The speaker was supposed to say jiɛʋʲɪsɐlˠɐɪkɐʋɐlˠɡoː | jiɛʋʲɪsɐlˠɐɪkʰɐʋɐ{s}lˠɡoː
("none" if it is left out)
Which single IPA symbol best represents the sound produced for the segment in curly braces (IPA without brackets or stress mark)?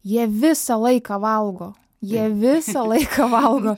none